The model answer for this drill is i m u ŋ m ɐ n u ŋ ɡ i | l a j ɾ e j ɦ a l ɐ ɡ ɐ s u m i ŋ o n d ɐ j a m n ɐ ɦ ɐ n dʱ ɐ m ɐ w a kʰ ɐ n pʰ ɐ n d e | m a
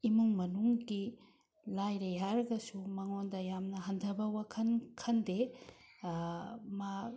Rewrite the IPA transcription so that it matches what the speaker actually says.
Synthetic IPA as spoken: i m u ŋ m ɐ n u ŋ ɡ i | l a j ɾ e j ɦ a ɾ ɐ ɡ ɐ s u m a ŋ o n d ɐ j a m n ɐ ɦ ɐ n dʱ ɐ b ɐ w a kʰ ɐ n kʰ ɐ n d e | m a

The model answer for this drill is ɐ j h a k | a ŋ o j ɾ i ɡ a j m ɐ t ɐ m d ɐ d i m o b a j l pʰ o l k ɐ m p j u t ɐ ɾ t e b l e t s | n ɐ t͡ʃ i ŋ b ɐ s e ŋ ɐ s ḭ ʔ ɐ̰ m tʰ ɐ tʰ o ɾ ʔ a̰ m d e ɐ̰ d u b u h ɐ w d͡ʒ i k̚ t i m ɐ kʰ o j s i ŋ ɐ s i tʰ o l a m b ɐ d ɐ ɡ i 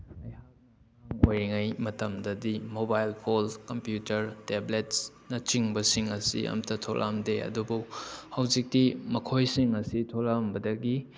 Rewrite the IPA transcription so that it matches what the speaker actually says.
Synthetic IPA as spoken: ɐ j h a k | a ŋ o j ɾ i ŋ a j m ɐ t ɐ m d ɐ d i m o b a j l pʰ o l k ɐ m p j u t ɐ ɾ t e b l e t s | n ɐ t͡ʃ i ŋ b ɐ s i ŋ ɐ s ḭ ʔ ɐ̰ m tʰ ɐ tʰ o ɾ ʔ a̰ m d e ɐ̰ d u b u h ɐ w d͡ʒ i k̚ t i m ɐ kʰ o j s i ŋ ɐ s i tʰ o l a m b ɐ d ɐ ɡ i

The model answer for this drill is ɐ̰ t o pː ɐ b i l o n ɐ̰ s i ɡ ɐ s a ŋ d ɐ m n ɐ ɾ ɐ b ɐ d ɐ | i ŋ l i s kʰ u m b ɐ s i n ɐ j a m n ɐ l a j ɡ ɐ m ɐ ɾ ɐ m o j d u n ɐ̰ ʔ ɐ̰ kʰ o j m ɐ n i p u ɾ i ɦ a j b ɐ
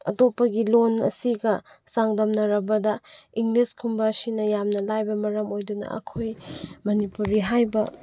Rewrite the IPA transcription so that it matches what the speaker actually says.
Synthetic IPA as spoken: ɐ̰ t o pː ɐ ɡ i l o n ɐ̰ s i ɡ ɐ s a ŋ d ɐ m n ɐ ɾ ɐ b ɐ d ɐ | i ŋ l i s kʰ u m b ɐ s i n ɐ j a m n ɐ l a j b ɐ m ɐ ɾ ɐ m o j d u n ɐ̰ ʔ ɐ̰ kʰ o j m ɐ n i p u ɾ i ɦ a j b ɐ

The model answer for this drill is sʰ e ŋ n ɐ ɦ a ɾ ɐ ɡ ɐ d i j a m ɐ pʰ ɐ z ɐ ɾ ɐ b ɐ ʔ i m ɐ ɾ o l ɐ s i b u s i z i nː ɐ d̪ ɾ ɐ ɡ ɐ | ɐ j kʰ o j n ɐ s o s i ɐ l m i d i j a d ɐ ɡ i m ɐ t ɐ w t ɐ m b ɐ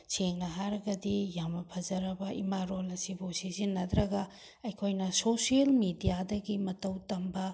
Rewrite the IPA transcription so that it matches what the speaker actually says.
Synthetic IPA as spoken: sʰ e ŋ n ɐ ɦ a ɾ ɐ ɡ ɐ d i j a m ɐ pʰ ɐ z ɐ ɾ ɐ b ɐ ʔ i m a ɾ o l ɐ s i b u s i z i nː ɐ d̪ ɾ ɐ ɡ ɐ | ɐ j kʰ o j n ɐ s o s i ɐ l m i d i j a d ɐ ɡ i m ɐ t ɐ w t ɐ m b ɐ

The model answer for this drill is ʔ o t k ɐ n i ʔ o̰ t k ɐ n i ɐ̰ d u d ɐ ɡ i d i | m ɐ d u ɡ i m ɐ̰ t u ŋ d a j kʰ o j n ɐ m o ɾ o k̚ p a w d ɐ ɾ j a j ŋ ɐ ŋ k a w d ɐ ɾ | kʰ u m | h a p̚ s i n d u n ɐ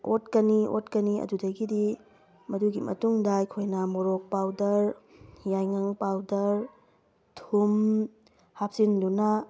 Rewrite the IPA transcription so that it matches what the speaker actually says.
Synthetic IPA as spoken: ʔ o t k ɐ n i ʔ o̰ t k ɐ n i ɐ̰ d u d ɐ ɡ i d i | m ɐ d u ɡ i m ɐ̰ t u ŋ d a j kʰ o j n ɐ m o ɾ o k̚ p a w d ɐ ɾ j a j ŋ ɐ ŋ p a w d ɐ ɾ | tʰ u m | h a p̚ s i n d u n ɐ

